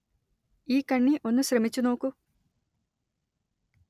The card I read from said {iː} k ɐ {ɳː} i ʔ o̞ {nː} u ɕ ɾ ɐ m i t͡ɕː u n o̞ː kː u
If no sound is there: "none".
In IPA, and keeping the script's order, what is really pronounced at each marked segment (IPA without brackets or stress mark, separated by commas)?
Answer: iː, ɳː, nː